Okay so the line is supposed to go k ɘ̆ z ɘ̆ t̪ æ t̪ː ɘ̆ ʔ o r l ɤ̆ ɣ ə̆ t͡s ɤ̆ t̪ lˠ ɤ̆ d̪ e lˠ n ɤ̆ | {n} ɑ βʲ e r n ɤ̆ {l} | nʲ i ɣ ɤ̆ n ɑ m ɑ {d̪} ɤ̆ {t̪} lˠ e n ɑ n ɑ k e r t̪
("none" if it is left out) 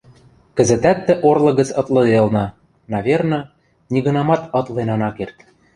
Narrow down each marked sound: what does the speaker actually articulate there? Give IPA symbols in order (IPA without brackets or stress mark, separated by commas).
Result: n, none, t̪, t̪